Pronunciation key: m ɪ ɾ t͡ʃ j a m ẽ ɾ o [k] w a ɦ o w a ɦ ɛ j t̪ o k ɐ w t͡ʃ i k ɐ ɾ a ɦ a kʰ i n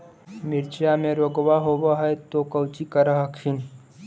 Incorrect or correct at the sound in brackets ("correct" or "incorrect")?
incorrect